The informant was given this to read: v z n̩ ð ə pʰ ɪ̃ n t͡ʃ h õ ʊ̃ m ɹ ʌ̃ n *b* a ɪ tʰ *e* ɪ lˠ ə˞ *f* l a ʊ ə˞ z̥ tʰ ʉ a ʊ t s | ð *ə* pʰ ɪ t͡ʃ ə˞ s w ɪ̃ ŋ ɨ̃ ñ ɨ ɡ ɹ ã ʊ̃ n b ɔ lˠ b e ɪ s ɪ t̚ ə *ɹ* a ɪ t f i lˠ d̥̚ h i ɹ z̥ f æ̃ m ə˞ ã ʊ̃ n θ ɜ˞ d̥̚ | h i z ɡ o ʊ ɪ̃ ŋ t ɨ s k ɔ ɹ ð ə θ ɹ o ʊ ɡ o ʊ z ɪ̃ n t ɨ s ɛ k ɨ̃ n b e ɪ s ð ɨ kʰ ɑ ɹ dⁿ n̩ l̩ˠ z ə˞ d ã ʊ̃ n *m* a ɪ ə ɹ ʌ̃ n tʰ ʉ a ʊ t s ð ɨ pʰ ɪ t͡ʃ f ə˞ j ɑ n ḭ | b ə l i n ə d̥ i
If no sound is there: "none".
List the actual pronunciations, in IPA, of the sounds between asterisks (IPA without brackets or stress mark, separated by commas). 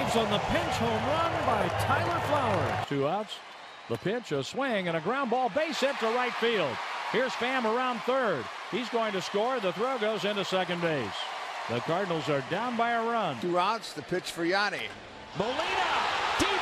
b, a, f, ə, ɹ, b